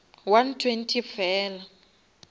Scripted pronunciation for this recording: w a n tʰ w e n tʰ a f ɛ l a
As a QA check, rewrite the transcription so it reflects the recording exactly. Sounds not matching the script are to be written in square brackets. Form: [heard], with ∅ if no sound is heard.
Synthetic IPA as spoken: w a n tʰ w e n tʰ [i] f [ɛː] l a

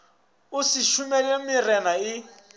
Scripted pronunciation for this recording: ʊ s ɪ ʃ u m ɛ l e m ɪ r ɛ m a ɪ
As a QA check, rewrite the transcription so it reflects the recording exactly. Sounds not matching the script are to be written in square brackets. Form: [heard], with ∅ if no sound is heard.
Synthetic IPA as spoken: ʊ s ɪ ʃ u m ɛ l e m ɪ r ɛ [n] a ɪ

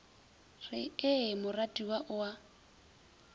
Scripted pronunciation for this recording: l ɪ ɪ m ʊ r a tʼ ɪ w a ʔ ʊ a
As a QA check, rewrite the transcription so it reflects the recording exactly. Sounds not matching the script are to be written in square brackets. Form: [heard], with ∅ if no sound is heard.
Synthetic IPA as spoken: [r] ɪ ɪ m ʊ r a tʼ [i] w a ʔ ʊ a

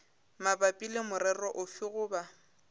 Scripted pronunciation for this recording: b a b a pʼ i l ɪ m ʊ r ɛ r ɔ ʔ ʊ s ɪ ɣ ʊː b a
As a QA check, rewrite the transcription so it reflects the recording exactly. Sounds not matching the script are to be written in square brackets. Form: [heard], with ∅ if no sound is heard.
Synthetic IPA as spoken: [m] a b a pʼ i l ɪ m ʊ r ɛ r ɔ ʔ ʊ [f] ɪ ɣ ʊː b a

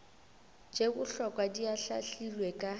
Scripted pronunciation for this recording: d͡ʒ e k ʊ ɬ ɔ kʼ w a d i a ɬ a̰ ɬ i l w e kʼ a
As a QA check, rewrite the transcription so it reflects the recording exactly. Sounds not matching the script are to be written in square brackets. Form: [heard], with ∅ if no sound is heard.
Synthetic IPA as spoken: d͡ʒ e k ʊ ɬ ɔ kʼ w a d i a ɬ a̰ ɬ i l w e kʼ a

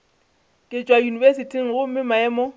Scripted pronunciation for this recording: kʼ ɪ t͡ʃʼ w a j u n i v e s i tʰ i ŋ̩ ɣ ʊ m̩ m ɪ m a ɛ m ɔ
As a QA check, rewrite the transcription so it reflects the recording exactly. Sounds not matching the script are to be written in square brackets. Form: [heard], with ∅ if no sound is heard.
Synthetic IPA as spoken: kʼ ɪ t͡ʃʼ w a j u n i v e s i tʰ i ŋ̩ ɣ ʊ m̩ m ɪ m a ɛ m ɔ

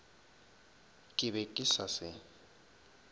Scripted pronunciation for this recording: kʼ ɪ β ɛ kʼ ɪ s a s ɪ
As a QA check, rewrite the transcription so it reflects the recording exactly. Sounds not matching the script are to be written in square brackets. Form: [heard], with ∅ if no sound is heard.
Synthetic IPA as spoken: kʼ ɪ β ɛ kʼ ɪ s a s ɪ

